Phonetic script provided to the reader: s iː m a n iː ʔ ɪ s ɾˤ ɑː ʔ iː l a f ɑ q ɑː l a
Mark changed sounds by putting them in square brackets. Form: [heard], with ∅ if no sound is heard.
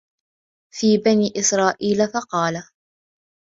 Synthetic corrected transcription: [f] iː [b] a n iː ʔ ɪ s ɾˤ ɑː ʔ iː l a f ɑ q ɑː l a

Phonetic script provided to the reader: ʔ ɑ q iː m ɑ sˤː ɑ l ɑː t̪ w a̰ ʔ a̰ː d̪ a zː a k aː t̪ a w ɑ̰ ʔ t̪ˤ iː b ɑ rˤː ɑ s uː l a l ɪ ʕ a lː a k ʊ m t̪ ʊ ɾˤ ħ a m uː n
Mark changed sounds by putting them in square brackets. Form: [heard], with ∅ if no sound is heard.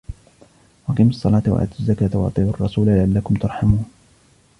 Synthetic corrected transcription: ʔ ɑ q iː m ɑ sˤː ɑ l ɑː t̪ w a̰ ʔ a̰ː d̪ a zː a k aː t̪ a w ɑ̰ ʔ t̪ˤ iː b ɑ rˤː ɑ s uː l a l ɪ ʕ a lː a k ʊ m t̪ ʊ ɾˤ ħ a m uː n

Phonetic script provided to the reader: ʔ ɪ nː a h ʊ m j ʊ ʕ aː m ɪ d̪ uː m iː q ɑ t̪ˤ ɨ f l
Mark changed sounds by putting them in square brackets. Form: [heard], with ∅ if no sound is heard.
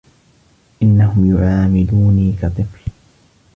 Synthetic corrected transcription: ʔ ɪ nː a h ʊ m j ʊ ʕ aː m ɪ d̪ uː [n] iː [k] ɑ t̪ˤ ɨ f l

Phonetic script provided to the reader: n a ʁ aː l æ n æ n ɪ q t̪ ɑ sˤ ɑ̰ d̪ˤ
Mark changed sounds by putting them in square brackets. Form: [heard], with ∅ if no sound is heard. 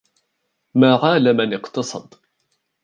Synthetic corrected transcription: [m] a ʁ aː l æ [m] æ n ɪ q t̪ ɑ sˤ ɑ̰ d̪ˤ

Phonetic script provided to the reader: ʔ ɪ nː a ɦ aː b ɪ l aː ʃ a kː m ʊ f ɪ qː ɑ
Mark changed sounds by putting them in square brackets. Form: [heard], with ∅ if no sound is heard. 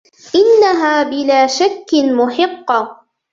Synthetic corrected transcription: ʔ ɪ nː a ɦ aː b ɪ l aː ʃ a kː m ʊ [ħ] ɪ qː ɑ

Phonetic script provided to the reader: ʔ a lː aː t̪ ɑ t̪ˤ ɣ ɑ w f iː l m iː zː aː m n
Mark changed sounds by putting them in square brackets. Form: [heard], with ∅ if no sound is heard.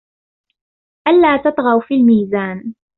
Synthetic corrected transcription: ʔ a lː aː t̪ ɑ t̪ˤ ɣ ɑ w f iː l m iː [z] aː [∅] n

